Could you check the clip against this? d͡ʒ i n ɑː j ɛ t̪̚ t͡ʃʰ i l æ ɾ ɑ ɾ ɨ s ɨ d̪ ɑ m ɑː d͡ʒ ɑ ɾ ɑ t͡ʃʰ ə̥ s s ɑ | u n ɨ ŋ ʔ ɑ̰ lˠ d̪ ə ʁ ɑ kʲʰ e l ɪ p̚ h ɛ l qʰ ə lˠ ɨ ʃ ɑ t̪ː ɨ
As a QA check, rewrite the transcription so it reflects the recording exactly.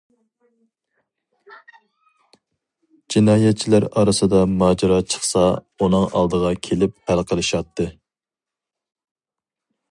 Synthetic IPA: d͡ʒ i n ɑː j ɛ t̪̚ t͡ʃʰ i l æ ɾ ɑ ɾ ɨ s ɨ d̪ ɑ m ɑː d͡ʒ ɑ ɾ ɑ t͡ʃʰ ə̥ χ s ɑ | u n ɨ ŋ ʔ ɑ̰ lˠ d̪ ə ʁ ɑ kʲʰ e l ɪ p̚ h æ l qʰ ə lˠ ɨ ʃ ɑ t̪ː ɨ